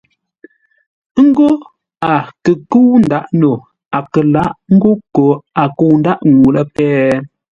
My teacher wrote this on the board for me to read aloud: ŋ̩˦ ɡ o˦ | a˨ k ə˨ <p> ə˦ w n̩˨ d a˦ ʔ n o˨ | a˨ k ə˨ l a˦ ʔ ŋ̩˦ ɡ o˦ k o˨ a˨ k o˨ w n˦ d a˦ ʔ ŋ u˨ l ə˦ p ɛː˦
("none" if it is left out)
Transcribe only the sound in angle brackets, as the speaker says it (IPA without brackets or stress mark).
k